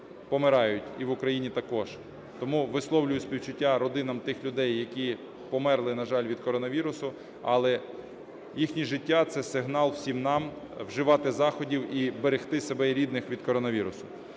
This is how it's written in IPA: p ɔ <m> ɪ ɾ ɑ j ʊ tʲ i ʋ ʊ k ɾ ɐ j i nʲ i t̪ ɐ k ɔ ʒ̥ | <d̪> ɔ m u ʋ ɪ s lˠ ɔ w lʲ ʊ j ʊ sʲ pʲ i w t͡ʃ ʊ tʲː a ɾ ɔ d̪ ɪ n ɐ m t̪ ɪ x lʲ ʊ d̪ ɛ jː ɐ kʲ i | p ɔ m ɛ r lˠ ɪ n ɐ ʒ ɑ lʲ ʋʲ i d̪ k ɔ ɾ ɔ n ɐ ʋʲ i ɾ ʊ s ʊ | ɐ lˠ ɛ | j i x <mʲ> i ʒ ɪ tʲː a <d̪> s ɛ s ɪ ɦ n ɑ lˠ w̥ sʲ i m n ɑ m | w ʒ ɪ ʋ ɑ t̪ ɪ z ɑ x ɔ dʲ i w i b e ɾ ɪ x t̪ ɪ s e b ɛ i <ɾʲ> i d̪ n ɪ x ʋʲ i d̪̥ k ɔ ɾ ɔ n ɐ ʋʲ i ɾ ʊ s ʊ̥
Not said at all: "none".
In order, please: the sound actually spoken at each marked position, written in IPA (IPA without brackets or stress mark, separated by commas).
m, t̪, nʲ, t̪, ɾʲ